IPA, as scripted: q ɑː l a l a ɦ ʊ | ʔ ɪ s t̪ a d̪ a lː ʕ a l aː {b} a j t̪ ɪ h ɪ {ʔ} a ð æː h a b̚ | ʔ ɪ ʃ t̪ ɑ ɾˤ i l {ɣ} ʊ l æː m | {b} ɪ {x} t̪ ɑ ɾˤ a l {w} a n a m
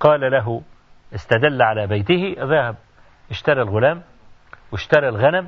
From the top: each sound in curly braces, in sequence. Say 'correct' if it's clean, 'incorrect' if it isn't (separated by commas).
correct, correct, correct, incorrect, incorrect, incorrect